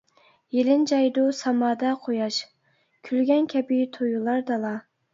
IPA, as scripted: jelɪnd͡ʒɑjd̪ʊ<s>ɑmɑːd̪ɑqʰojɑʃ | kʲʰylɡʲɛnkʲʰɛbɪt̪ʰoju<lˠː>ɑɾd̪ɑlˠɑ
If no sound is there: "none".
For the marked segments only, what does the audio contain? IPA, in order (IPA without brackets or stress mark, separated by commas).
s, lˠ